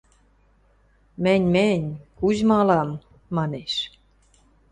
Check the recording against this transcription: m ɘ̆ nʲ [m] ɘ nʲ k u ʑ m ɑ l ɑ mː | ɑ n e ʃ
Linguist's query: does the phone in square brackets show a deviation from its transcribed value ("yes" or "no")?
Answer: no